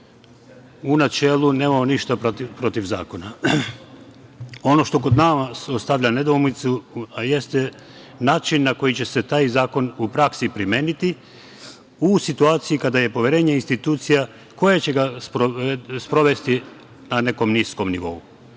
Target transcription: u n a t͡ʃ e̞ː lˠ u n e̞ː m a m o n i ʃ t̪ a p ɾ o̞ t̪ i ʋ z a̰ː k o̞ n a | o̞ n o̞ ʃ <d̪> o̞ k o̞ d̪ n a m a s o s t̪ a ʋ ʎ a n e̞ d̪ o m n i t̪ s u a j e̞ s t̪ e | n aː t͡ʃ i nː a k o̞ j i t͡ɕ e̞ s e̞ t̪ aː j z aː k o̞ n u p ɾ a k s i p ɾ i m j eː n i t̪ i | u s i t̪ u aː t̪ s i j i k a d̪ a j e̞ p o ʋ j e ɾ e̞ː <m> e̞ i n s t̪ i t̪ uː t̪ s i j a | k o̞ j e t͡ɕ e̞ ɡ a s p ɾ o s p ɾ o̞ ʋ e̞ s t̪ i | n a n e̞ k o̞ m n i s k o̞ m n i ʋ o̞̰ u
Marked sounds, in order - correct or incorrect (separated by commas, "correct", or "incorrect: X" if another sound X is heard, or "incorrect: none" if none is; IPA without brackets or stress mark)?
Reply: incorrect: t̪, incorrect: ɲ